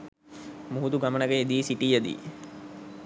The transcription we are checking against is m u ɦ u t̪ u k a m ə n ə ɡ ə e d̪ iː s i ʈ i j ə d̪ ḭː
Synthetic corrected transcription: m u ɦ u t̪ u ɡ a m ə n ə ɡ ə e d̪ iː s i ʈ i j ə d̪ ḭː